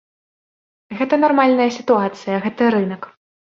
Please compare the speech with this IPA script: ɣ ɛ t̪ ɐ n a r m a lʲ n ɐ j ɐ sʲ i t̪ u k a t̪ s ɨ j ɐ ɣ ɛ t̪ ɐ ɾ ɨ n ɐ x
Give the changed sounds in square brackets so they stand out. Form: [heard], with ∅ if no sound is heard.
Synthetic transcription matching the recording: ɣ ɛ t̪ ɐ n a r m a lʲ n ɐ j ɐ sʲ i t̪ u [∅] a t̪ s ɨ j ɐ ɣ ɛ t̪ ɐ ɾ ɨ n ɐ [k]